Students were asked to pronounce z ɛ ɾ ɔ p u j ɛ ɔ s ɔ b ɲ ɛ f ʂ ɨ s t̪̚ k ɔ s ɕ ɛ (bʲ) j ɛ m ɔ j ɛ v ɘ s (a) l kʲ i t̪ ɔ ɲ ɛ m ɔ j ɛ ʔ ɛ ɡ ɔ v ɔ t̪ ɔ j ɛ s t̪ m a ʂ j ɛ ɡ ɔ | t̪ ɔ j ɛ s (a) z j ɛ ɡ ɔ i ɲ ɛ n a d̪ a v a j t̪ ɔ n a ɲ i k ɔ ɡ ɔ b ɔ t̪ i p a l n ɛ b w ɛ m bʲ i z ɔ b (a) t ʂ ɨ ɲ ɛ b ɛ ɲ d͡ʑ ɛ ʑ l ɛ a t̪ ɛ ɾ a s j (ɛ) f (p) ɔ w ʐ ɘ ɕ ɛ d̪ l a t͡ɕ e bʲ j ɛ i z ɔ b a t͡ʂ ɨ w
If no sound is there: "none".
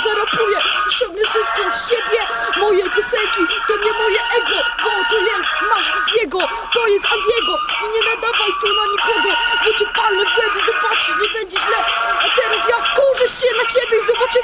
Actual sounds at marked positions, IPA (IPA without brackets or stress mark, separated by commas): bʲ, ɛ, a, a, a, k